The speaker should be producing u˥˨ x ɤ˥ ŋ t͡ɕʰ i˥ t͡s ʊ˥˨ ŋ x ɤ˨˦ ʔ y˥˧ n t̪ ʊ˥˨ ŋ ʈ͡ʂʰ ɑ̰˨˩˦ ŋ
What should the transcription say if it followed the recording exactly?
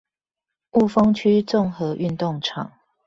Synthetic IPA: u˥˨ f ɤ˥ ŋ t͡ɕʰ y˥ t͡s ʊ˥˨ ŋ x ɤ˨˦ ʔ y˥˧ n t̪ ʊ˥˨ ŋ ʈ͡ʂʰ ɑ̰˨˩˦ ŋ

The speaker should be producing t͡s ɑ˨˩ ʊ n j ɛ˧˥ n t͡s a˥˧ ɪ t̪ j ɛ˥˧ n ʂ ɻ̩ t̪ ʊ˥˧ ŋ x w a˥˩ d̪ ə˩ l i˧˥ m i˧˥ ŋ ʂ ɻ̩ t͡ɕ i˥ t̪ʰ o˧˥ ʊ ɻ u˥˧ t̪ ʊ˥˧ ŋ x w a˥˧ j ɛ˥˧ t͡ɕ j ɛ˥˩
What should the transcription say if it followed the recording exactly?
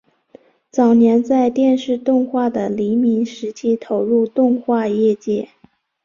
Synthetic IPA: t͡s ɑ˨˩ ʊ n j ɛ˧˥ n t͡s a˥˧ ɪ t̪ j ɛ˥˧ n ʂ ɻ̩ t̪ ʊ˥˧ ŋ x w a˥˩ d̪ ə˩ l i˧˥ m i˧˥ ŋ ʂ ɻ̩ t͡ɕʰ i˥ t̪ʰ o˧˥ ʊ ɻ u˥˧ t̪ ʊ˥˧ ŋ x w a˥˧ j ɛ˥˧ t͡ɕ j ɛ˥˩

